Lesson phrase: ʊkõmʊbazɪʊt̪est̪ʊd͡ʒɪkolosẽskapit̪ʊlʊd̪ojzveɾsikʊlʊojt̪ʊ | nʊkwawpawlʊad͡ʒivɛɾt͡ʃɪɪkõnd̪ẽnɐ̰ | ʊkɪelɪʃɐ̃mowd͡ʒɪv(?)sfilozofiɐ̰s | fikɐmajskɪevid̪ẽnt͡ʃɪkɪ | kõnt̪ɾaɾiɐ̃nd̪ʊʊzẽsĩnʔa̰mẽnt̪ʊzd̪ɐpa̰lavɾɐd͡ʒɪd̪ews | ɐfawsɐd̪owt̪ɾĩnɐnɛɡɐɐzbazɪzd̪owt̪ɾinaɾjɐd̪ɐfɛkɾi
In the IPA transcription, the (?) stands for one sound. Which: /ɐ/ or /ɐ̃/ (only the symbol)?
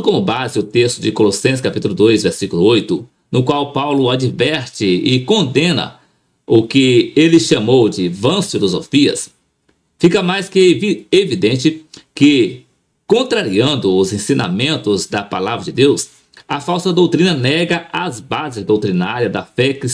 ɐ̃